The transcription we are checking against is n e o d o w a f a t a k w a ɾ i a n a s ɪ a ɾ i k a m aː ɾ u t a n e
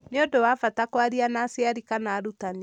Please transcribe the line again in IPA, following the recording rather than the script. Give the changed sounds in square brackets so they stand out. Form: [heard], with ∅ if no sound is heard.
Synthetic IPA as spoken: n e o d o w a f a t a k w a ɾ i a n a s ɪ a ɾ i k a [n] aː ɾ u t a n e

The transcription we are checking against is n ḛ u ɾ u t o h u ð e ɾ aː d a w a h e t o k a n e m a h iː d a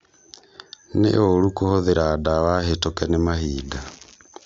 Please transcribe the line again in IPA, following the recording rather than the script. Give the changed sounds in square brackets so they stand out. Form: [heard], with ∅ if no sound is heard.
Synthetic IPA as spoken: n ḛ [o] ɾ u [k] o h [o] ð e ɾ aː d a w a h e t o k [ɛ] n e m a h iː d a

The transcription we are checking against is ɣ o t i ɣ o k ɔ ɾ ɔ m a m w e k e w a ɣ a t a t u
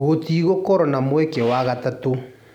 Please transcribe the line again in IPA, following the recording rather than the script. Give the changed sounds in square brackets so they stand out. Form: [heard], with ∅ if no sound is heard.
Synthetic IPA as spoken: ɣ o t i ɣ o k ɔ ɾ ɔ [n] a m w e k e w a ɣ a t a t [o]

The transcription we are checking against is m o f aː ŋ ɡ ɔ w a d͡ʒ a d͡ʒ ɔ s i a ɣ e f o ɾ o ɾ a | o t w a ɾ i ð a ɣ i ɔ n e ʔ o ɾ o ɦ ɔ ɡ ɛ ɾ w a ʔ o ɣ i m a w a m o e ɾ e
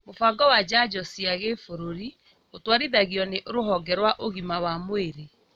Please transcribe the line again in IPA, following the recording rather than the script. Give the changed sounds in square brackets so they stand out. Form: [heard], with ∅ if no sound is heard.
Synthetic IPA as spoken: m o f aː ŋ ɡ ɔ w a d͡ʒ a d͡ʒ ɔ s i a ɣ e f o ɾ o ɾ [i] | o t w a ɾ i ð a ɣ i ɔ n e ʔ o ɾ o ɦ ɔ ɡ ɛ ɾ w a ʔ o ɣ i m a w a m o e ɾ e

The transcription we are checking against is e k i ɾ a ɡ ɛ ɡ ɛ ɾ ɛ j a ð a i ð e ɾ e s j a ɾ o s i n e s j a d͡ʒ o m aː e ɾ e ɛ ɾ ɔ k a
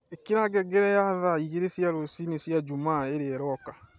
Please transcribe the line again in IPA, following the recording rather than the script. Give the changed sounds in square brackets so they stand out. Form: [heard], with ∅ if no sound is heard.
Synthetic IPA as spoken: e k i ɾ a ɡ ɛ ɡ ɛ ɾ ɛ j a ð a i [ɣ] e ɾ e s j a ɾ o s i n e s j a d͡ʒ [u] m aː e ɾ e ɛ ɾ ɔ k a

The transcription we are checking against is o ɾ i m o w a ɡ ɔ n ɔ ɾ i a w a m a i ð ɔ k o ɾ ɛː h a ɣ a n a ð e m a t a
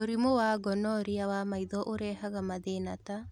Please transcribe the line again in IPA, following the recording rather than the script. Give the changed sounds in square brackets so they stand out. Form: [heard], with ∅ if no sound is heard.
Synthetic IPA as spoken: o ɾ i m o w a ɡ ɔ n ɔ ɾ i a w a m a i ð ɔ [ʔ] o ɾ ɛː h a ɣ a [m] a ð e [n] a t a

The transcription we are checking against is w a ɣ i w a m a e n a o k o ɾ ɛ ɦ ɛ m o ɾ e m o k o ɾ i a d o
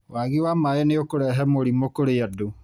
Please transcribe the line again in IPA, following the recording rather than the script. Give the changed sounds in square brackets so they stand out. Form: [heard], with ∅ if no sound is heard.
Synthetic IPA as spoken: w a ɣ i w a m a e n [e] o k o ɾ ɛ ɦ ɛ m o ɾ [i] m o k o ɾ [e] a d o

